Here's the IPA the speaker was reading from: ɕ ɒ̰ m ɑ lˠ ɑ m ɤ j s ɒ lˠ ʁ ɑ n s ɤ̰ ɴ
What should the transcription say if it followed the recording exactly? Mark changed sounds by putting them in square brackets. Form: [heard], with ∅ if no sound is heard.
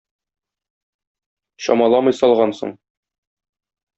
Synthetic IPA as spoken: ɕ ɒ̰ m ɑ lˠ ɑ m ɤ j s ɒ lˠ ʁ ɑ n s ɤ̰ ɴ